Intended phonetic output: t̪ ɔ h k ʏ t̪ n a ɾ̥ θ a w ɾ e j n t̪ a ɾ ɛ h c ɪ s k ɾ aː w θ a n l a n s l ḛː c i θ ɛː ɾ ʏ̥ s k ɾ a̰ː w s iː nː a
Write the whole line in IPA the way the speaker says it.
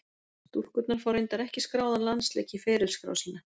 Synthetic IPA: t̪ u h k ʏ t̪ n a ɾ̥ f a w ɾ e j n t̪ a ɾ ɛ h c ɪ s k ɾ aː w ð a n l a n s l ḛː c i f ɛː ɾ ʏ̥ s k ɾ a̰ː w s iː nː a